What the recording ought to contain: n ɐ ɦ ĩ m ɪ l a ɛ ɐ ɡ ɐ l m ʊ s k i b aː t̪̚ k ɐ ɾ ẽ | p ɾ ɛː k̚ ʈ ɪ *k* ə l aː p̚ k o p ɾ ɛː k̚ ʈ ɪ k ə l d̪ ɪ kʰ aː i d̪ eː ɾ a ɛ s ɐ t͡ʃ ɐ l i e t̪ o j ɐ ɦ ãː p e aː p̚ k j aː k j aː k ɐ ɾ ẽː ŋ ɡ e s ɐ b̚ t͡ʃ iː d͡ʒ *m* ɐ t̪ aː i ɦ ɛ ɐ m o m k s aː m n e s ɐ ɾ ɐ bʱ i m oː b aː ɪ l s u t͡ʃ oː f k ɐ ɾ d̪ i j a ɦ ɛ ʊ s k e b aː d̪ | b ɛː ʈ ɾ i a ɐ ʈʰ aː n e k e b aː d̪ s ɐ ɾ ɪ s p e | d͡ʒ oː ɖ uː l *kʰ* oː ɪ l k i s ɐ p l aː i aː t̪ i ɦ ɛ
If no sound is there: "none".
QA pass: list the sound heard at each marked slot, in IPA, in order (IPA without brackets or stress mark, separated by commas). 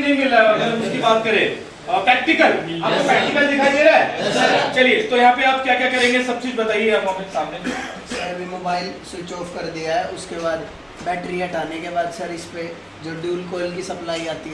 k, b, k